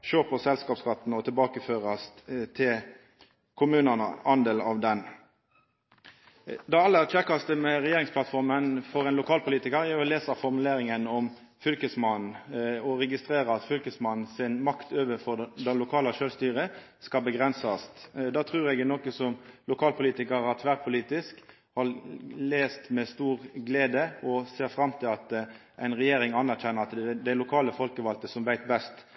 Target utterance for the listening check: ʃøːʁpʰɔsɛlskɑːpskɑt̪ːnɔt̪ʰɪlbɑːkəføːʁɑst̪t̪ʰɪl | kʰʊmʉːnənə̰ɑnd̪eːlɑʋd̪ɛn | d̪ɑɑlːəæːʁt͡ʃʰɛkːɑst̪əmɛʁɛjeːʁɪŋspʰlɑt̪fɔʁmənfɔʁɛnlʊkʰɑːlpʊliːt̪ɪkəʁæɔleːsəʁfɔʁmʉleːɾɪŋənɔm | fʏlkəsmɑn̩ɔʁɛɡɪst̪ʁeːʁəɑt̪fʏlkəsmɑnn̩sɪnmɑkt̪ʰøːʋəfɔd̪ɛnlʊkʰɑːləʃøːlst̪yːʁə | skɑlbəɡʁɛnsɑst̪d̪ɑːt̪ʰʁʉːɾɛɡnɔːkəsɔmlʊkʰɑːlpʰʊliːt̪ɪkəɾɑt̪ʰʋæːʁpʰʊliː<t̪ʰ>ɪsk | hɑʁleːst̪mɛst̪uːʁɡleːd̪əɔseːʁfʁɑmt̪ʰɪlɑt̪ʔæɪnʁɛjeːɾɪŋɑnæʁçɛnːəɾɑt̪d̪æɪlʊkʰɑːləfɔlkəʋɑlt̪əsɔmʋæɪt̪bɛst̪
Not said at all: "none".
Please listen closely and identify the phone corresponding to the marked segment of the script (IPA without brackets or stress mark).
t̪